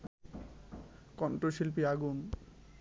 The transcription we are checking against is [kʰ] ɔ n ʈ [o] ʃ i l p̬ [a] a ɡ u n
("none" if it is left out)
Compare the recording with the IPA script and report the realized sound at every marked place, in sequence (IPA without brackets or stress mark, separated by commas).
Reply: k, o, i